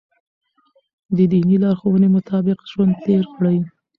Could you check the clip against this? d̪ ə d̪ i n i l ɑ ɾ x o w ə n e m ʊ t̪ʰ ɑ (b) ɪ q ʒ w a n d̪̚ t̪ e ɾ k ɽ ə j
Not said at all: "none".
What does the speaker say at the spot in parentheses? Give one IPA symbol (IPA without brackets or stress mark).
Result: b